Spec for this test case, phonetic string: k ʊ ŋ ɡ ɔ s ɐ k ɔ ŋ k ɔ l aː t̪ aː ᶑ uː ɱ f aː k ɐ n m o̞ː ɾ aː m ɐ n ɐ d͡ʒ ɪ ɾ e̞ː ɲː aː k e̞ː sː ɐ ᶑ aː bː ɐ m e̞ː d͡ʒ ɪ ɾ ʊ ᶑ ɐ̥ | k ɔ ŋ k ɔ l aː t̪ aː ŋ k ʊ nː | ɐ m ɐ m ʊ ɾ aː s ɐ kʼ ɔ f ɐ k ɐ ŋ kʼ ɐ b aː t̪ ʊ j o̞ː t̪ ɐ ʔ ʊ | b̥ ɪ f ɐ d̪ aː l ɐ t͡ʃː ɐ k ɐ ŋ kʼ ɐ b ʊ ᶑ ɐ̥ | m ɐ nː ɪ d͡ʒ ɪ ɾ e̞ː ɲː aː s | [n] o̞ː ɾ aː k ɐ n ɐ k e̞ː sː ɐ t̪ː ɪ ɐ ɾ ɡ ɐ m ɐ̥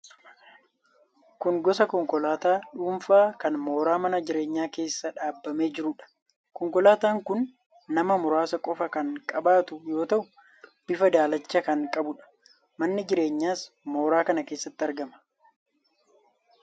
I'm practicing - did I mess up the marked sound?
yes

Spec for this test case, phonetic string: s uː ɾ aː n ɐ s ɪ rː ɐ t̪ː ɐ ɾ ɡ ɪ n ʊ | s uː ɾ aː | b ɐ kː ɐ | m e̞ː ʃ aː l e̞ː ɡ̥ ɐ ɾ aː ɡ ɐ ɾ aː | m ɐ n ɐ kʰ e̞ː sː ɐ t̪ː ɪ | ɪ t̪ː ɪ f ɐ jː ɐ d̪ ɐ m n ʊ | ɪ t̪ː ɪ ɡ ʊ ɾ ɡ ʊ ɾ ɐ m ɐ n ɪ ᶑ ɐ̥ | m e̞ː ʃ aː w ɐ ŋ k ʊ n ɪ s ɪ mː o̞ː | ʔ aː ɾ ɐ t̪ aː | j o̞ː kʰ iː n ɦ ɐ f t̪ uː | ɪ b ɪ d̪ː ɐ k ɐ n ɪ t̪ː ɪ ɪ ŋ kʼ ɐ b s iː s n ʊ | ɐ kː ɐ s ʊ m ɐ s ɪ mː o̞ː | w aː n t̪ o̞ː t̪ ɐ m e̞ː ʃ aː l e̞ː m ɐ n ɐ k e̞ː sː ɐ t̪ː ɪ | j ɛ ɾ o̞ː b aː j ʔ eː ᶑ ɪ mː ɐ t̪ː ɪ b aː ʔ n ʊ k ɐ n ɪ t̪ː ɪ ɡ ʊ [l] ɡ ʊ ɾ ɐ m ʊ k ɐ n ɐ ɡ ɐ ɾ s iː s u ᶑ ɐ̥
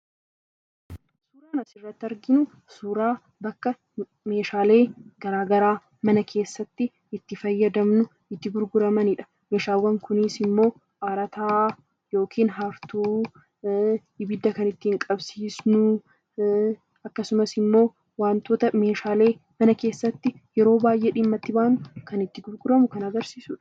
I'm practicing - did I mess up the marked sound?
yes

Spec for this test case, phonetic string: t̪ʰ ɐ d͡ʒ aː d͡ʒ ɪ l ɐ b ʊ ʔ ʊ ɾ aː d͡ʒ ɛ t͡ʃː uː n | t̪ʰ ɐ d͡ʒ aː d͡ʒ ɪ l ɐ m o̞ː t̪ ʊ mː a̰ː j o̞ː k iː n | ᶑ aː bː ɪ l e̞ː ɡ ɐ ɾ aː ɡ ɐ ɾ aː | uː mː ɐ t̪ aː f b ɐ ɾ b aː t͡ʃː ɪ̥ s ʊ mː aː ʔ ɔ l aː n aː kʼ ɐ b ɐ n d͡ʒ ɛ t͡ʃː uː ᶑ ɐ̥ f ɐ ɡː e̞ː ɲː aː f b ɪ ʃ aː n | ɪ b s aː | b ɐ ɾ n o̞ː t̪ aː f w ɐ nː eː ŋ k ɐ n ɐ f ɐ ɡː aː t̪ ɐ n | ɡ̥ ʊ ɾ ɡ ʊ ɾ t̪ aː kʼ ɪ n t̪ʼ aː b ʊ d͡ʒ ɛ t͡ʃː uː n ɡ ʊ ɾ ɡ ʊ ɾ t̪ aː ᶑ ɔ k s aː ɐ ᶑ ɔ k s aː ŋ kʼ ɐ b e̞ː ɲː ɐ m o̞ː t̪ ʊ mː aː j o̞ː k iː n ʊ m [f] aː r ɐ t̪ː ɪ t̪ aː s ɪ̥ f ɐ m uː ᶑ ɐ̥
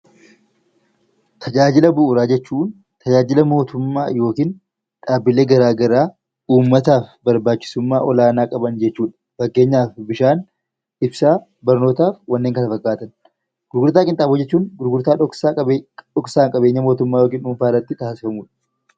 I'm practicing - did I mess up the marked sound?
no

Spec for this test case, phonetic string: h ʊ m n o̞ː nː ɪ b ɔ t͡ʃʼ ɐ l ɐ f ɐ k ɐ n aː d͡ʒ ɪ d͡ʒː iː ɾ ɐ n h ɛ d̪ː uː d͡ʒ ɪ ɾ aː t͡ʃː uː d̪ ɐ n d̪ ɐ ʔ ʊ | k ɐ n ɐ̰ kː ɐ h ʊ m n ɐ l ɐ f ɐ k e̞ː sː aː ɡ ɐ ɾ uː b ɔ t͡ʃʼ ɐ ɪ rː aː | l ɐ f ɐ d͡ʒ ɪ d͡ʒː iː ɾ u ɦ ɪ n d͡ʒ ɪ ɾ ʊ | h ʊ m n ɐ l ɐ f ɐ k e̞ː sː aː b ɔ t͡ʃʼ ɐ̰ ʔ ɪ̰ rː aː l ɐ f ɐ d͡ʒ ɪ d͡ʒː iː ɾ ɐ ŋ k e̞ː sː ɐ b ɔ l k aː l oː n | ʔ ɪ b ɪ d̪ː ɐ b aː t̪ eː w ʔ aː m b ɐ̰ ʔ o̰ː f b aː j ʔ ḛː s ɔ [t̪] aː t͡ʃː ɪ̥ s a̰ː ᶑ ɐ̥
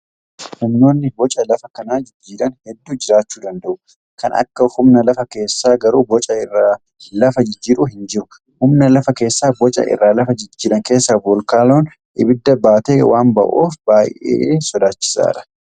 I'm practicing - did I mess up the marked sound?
yes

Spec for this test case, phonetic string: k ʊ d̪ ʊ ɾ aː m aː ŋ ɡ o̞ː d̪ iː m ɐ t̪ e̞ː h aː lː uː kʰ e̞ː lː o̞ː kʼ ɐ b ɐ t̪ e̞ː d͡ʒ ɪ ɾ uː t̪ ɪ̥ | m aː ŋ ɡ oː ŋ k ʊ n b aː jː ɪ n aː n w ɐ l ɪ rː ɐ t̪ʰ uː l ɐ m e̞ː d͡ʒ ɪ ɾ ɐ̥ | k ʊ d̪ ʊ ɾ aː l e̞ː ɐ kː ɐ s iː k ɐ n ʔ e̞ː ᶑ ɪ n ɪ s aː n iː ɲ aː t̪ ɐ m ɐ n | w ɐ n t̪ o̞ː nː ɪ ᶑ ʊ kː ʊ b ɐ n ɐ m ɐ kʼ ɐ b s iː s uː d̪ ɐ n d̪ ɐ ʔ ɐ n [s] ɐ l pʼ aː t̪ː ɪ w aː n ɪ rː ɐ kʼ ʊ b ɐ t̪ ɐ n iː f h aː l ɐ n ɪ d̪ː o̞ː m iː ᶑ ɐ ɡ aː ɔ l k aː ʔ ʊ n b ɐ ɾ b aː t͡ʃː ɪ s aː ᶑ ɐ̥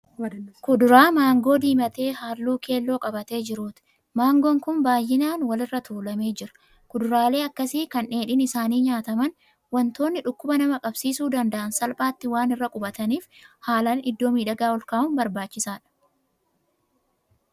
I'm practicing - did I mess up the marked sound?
no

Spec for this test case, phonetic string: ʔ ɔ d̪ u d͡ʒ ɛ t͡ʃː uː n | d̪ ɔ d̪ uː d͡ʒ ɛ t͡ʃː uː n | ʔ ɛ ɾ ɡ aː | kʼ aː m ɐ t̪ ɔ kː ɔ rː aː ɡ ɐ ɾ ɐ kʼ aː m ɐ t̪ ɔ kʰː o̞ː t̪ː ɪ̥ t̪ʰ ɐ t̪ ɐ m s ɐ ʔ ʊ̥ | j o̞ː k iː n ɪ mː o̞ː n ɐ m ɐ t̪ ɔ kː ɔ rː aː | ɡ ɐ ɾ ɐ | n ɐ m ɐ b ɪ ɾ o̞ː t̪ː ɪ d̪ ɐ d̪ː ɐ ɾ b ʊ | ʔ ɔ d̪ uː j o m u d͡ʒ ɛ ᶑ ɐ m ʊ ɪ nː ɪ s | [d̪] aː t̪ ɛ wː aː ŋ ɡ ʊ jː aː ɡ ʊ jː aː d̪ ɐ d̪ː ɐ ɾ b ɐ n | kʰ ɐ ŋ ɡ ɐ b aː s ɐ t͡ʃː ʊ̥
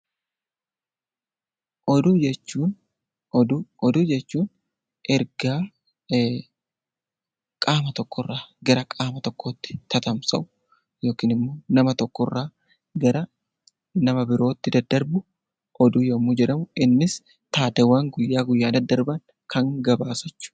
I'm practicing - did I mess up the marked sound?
yes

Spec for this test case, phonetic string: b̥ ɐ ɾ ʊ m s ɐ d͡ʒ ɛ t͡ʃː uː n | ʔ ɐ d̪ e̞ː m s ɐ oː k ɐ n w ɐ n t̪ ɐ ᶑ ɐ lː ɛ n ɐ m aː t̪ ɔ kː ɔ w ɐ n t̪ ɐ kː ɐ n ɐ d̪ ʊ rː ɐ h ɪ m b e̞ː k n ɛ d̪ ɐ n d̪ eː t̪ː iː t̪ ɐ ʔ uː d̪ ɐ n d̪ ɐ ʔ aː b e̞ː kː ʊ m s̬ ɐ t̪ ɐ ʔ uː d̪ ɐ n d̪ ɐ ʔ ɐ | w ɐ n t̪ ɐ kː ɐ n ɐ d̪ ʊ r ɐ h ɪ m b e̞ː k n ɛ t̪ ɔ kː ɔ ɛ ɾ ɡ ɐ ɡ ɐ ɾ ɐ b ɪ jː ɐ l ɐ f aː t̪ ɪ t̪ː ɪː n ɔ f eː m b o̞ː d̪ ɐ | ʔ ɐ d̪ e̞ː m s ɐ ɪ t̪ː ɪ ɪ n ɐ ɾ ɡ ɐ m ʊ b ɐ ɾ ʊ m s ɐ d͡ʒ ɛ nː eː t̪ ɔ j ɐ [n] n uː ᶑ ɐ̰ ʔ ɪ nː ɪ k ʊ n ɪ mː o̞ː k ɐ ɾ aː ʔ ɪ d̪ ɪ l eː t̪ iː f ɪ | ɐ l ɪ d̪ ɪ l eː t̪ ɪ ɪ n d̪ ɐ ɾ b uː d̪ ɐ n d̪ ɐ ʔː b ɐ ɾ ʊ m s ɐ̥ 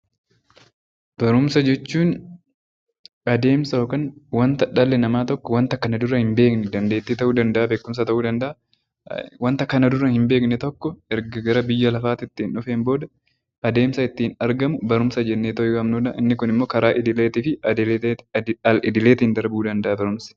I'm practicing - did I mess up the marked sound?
yes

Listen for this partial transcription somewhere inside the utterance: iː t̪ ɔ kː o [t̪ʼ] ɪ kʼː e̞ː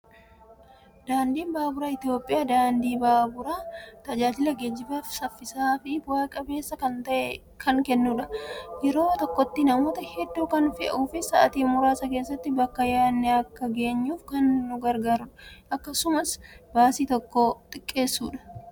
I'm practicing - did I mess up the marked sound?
no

